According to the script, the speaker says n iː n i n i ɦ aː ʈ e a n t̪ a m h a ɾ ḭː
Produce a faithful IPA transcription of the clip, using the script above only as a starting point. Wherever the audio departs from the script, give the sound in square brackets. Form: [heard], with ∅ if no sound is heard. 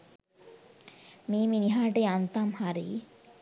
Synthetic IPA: [m] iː [m] i n i ɦ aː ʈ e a n t̪ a m h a ɾ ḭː